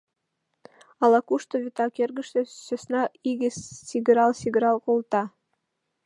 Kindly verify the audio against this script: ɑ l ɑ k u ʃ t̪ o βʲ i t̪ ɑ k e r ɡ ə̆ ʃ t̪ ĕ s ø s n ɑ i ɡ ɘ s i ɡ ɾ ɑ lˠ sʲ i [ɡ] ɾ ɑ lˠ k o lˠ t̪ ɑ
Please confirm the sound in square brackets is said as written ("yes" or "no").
yes